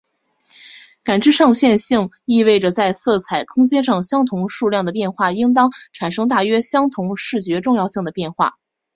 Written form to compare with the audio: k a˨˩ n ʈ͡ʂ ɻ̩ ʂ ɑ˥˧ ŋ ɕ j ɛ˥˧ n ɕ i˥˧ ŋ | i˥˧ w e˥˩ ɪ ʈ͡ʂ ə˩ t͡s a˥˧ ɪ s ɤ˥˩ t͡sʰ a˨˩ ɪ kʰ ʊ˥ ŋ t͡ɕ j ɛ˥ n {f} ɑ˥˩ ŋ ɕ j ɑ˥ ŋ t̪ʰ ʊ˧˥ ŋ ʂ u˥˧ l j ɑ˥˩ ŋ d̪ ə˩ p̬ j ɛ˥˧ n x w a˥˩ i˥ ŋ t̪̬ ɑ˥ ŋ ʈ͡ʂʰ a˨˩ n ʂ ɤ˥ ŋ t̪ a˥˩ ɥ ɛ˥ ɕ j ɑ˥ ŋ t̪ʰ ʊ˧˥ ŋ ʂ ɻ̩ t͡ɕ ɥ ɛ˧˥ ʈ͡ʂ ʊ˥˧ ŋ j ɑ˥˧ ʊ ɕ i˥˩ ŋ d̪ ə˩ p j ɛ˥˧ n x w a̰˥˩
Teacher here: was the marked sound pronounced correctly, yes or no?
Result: no